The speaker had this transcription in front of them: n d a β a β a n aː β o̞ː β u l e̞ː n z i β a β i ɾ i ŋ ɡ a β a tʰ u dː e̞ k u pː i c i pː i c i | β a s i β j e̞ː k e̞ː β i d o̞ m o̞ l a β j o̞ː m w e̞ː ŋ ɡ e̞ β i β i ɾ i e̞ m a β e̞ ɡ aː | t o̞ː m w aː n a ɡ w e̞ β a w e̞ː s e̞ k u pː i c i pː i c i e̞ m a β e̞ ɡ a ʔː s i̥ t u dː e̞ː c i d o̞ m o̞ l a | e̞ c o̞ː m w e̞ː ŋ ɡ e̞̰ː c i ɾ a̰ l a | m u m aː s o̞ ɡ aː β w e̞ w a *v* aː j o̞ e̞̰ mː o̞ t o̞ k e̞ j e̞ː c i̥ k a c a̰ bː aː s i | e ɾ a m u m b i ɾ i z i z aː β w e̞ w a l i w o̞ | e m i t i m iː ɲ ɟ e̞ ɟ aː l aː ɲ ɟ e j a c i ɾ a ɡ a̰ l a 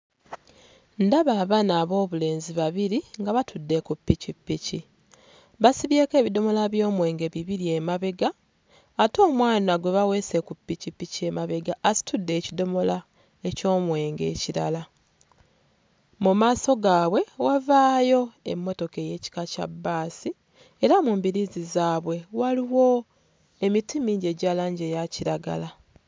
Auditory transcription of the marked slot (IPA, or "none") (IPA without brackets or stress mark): v